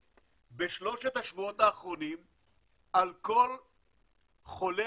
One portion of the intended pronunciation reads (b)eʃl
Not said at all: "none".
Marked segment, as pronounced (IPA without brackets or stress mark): b